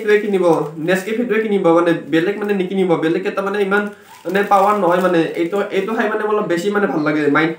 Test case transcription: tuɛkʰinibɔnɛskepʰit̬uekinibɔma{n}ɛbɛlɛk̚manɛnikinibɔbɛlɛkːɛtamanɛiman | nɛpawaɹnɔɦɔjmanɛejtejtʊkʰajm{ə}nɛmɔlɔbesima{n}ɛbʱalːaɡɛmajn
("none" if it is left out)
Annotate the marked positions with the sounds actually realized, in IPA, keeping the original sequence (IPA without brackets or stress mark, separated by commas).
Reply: n, a, n